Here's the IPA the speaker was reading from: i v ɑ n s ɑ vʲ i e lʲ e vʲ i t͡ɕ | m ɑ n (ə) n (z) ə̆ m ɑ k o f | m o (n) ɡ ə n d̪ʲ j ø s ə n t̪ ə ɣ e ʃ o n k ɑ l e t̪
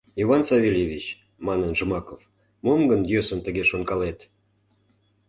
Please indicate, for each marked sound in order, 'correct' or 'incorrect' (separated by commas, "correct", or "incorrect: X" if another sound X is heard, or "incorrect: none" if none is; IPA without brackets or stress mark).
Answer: correct, incorrect: ʒ, incorrect: m